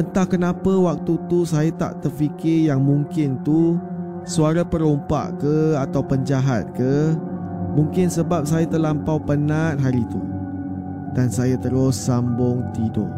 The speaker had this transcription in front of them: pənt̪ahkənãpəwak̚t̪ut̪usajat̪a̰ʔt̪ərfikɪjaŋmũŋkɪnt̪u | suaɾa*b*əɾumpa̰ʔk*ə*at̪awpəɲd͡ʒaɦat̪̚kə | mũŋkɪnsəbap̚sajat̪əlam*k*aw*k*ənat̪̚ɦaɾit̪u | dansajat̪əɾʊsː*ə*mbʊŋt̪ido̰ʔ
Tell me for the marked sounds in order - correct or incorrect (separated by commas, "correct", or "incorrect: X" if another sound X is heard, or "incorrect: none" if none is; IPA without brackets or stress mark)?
incorrect: p, correct, incorrect: p, incorrect: p, incorrect: a